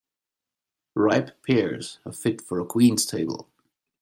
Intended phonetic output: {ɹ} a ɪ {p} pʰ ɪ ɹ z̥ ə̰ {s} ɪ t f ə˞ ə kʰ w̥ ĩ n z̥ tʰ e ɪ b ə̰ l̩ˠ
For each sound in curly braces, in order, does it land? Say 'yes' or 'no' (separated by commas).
yes, yes, no